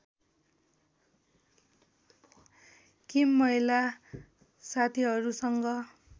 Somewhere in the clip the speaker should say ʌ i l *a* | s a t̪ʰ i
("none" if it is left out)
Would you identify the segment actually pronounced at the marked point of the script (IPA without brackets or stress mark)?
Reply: a